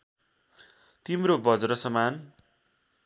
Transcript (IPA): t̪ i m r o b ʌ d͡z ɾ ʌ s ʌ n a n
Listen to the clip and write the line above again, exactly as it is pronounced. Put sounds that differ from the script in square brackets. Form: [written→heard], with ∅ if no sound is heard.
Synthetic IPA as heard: t̪ i m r o b ʌ d͡z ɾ ʌ s ʌ [n→m] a n